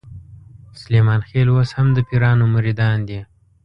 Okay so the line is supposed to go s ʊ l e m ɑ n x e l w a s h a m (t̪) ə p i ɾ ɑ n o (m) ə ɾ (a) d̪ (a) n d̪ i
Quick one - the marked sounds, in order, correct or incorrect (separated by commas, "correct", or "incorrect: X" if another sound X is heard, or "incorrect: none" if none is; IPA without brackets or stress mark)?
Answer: incorrect: d̪, correct, incorrect: i, incorrect: ɑ